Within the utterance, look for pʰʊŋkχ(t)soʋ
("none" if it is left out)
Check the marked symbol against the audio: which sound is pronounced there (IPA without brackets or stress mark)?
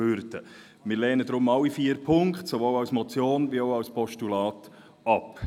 t